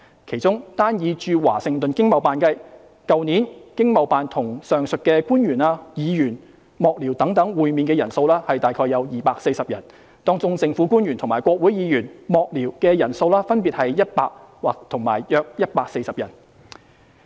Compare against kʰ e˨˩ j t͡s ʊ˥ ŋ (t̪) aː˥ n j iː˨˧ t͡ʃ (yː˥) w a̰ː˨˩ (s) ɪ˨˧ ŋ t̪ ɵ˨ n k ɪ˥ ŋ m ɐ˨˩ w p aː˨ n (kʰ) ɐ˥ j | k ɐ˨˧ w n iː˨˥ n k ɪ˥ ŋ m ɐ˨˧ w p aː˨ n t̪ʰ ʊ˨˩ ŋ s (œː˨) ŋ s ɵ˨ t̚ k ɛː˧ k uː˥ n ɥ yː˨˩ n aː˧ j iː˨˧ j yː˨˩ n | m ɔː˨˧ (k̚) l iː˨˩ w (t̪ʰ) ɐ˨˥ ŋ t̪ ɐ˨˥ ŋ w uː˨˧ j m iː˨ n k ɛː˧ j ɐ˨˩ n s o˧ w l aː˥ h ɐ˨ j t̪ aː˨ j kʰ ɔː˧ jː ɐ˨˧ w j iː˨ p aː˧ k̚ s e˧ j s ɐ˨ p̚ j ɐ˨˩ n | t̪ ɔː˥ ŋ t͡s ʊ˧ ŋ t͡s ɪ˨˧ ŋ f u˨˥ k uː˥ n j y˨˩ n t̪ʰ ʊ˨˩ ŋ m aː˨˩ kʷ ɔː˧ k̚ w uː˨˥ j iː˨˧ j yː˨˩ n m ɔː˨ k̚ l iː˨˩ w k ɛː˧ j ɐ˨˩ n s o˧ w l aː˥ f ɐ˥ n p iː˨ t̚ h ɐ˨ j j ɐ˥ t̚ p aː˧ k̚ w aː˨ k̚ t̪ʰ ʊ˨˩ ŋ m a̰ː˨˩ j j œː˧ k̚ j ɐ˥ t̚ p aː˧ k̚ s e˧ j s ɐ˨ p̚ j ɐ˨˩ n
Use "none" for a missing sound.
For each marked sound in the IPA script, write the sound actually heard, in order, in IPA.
t̪, yː˧, s, k, œː˨, k̚, t̪

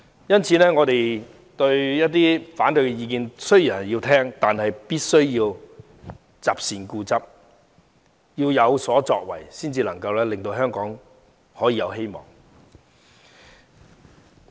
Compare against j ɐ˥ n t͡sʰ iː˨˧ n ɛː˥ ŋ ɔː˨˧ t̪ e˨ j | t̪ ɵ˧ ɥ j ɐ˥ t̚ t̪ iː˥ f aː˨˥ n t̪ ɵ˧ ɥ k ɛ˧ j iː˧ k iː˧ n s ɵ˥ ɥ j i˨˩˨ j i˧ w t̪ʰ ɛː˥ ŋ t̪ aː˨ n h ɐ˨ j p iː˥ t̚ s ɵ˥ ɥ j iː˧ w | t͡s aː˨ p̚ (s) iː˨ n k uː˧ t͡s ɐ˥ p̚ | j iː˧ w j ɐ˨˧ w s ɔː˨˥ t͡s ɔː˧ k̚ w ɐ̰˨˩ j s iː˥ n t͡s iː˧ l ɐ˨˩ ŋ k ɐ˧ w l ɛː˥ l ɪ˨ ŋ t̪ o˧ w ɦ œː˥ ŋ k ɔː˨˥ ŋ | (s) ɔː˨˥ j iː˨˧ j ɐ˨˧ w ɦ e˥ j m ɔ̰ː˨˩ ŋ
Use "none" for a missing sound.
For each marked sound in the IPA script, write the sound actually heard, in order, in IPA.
s, h

